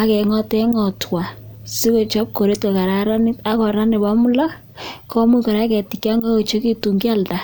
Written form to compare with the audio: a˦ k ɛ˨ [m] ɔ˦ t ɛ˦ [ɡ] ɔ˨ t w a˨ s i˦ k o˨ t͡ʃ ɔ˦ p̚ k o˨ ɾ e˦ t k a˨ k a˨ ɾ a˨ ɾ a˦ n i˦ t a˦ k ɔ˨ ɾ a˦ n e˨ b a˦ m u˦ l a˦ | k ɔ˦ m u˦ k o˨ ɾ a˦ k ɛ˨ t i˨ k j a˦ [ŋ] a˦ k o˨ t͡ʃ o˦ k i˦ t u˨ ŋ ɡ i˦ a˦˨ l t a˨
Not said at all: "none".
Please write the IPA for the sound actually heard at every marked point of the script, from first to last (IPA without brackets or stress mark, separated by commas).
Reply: ŋ, ŋ, ŋ